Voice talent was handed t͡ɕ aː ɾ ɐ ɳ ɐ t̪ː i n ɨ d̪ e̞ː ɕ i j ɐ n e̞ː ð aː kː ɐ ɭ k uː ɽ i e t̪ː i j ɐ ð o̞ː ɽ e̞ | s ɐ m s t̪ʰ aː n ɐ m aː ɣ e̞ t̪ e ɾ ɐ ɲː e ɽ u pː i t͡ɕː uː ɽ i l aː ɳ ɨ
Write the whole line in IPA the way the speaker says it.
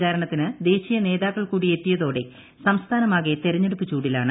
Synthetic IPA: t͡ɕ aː ɾ ɐ ɳ ɐ t̪ː i n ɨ d̪ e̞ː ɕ i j ɐ n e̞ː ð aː kː ɐ ɭ k uː ɽ i e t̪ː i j ɐ ð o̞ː ɽ e̞ | s ɐ m s t̪ʰ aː n ɐ m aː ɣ e̞ t̪ e ɾ ɐ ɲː e ɽ u pː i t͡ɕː uː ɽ i l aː ɳ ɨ